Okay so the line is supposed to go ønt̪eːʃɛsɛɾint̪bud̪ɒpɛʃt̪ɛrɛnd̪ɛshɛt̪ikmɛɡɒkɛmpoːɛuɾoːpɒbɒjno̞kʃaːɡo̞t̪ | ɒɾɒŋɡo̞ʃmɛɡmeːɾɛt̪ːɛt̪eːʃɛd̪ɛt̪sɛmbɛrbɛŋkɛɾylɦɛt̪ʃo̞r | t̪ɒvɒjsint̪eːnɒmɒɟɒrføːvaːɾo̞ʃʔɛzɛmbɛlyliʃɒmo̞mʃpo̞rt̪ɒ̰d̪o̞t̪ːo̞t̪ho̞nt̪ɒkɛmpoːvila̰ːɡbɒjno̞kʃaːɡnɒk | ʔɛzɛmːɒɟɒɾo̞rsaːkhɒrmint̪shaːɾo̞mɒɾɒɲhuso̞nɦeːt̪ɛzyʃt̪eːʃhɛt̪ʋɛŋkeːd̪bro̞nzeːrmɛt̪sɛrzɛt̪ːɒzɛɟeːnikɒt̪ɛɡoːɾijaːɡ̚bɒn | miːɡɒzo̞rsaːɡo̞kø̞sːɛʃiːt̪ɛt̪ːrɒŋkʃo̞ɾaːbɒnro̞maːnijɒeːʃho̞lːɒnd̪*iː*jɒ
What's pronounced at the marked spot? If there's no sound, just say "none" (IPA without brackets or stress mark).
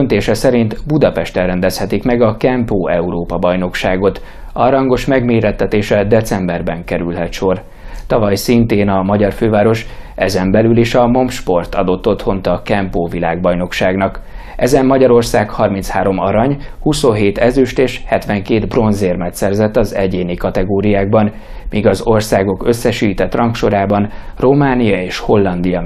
i